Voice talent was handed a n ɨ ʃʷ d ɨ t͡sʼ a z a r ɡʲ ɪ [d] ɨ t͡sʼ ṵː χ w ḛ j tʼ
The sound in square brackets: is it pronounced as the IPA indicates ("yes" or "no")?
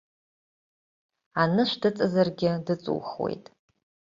yes